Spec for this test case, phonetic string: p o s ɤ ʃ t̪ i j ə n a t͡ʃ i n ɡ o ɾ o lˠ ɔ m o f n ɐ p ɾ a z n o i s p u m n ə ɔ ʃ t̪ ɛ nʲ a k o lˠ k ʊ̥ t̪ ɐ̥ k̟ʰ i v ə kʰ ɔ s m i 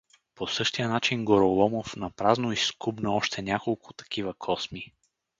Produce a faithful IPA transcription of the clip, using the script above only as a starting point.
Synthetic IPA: p o s ɤ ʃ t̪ i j ə n a t͡ʃ i n ɡ o ɾ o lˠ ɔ m o f n ɐ p ɾ a z n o i s k u b n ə ɔ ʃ t̪ ɛ nʲ a k o lˠ k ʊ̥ t̪ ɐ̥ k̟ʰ i v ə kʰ ɔ s m i